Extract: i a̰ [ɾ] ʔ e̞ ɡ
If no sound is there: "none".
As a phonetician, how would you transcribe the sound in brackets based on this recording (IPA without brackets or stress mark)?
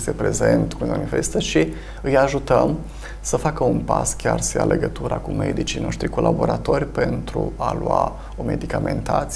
l